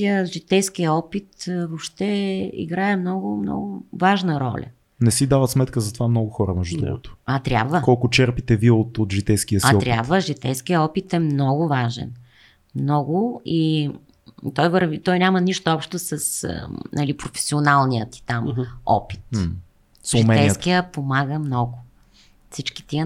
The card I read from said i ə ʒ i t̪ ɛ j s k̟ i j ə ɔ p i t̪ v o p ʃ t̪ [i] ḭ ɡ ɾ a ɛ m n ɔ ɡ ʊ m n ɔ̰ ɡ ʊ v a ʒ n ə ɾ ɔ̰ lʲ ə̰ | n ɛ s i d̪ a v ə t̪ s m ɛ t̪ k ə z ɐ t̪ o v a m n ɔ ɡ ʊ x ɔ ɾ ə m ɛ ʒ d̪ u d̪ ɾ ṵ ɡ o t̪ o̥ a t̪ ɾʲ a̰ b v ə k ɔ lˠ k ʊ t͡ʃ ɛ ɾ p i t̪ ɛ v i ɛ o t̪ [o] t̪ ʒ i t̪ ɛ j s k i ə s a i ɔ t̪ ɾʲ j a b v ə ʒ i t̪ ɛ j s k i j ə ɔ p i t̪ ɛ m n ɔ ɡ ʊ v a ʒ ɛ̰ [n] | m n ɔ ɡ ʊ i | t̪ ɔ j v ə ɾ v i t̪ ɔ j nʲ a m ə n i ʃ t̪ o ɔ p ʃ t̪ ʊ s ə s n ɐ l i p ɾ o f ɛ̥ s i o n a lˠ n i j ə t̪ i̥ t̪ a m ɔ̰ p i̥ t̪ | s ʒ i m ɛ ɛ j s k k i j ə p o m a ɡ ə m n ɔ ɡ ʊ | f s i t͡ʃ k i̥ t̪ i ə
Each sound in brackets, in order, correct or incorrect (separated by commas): incorrect, correct, correct